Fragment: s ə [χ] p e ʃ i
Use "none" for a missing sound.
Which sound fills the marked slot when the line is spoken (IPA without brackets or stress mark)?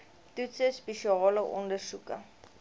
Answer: s